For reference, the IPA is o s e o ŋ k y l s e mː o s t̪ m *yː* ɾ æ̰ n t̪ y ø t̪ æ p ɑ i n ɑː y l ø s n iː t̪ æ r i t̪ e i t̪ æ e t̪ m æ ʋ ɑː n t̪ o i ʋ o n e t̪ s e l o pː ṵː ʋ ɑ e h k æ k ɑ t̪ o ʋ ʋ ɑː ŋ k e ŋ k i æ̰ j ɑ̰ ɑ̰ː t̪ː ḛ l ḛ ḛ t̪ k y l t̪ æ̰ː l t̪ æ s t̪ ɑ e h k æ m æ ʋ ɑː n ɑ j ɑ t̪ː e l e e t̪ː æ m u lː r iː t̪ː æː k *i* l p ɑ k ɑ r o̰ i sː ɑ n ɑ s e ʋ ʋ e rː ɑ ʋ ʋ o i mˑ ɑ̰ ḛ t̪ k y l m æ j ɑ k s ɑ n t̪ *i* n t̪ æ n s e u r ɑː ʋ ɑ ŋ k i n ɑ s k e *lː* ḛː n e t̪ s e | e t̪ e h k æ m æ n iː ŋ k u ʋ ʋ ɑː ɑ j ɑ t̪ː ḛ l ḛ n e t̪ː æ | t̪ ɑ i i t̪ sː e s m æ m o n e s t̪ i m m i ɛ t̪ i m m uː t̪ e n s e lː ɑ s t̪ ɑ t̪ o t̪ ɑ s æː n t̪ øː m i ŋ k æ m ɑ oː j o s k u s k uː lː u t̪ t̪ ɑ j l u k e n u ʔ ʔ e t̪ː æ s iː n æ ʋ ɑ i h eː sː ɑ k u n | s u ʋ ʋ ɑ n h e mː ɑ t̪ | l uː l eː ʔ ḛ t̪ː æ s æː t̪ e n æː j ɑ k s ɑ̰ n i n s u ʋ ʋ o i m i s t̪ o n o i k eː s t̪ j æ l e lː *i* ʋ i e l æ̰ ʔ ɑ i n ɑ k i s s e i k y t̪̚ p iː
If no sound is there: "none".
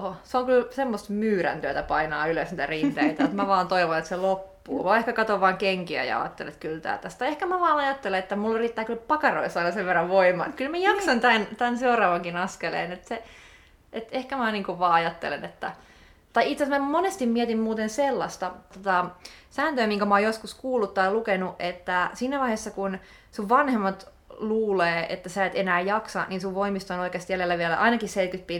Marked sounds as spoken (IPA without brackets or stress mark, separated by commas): yː, y, æ, l, æ